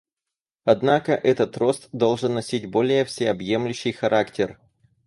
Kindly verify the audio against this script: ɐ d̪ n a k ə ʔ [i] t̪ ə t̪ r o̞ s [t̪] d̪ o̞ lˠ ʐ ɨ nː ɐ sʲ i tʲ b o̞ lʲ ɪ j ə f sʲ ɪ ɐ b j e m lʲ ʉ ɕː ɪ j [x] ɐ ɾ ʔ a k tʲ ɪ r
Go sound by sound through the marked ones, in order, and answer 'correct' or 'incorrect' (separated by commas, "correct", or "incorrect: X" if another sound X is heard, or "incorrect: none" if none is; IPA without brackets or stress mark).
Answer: incorrect: ɛ, correct, correct